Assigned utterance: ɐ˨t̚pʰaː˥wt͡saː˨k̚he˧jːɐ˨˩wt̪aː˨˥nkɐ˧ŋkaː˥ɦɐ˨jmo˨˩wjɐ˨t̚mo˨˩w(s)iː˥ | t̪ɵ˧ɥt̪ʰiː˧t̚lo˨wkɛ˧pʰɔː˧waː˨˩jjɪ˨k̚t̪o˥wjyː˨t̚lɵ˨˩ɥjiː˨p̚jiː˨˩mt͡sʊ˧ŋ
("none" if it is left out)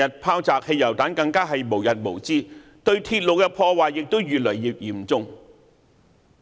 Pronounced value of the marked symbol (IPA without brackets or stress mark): t͡s